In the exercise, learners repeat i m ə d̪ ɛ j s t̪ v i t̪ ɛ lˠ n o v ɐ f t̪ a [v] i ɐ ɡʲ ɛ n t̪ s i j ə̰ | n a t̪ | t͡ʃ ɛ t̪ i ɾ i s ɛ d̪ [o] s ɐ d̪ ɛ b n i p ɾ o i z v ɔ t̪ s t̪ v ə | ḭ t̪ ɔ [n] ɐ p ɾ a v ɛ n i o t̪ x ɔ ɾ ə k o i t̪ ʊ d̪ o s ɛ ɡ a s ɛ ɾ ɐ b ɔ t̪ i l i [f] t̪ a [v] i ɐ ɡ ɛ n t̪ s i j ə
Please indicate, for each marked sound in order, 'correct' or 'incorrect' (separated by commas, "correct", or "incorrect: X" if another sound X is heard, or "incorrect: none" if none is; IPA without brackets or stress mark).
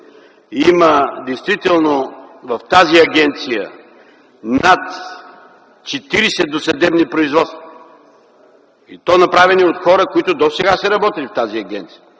incorrect: z, correct, correct, correct, incorrect: z